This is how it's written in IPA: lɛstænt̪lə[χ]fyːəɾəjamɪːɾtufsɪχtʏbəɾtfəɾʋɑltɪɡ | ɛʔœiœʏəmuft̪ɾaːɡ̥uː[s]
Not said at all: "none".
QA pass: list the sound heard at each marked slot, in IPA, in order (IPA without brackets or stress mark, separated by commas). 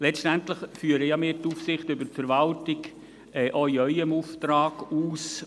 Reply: χ, s